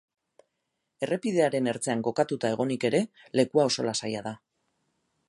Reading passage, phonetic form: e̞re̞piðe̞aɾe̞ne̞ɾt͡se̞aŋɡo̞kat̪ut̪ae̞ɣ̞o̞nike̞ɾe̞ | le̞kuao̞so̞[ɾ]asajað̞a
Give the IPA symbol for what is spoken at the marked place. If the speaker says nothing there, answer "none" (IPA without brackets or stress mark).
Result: l